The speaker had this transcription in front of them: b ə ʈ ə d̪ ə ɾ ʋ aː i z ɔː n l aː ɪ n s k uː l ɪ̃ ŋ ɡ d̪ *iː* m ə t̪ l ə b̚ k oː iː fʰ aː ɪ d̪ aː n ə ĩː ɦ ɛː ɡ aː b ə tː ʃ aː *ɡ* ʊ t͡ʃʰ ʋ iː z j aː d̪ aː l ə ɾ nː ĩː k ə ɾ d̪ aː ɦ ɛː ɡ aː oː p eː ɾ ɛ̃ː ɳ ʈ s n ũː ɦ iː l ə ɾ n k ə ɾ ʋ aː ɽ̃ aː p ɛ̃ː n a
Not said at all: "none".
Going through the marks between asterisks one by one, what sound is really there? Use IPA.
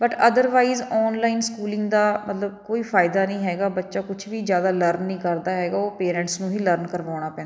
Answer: aː, k

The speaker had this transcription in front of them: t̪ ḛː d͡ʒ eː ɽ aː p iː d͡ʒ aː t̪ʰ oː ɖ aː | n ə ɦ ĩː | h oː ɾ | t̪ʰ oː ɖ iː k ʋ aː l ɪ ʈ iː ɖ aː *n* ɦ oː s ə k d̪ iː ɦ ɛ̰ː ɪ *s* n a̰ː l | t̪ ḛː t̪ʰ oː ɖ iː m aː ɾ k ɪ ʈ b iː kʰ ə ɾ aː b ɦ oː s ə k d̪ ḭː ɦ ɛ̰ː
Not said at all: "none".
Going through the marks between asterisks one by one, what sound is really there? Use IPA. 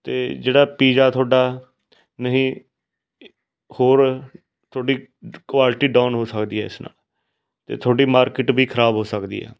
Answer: n, s

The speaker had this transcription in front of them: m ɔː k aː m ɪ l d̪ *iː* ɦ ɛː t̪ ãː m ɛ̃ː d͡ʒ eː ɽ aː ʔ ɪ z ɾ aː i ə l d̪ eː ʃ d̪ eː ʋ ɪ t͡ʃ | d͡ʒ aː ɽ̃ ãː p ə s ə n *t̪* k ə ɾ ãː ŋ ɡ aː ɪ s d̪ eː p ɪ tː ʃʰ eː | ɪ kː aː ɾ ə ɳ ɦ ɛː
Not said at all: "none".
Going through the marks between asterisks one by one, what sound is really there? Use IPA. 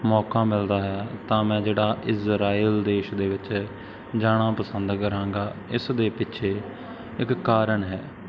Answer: aː, d̪

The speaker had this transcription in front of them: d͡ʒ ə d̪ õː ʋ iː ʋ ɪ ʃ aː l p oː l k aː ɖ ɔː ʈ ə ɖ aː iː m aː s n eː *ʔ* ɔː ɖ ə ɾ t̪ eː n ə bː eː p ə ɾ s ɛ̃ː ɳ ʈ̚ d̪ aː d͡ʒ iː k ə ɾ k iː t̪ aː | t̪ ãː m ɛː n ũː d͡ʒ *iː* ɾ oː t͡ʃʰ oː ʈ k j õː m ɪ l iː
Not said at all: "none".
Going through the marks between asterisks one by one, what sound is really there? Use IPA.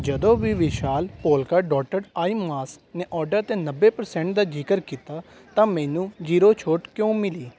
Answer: ʔ, iː

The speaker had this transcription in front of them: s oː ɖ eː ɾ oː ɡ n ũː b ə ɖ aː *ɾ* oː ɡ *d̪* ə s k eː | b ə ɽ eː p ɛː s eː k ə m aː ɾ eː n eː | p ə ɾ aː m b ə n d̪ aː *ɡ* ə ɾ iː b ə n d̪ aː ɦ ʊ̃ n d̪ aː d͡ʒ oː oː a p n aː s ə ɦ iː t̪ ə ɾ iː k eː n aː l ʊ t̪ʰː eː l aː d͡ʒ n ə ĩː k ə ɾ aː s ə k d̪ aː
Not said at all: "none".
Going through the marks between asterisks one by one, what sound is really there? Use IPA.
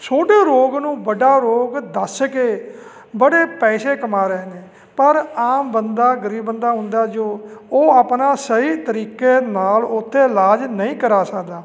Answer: ɾ, d̪, ɡ

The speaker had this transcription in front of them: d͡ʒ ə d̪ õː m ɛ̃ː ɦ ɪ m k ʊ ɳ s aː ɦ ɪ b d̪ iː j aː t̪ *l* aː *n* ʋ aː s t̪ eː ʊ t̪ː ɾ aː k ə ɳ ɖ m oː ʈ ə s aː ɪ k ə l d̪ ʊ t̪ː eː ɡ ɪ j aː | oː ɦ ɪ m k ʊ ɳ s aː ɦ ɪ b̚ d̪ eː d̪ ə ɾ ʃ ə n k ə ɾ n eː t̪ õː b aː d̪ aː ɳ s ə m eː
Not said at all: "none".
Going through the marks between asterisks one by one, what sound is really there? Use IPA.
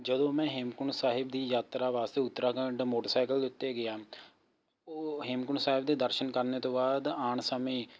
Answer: ɾ, none

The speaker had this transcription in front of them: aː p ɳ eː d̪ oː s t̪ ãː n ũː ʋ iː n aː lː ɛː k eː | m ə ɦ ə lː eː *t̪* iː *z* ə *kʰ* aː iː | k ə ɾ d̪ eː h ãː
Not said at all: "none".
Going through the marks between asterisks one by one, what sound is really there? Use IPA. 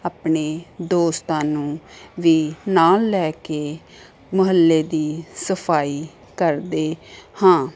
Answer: d̪, s, pʰ

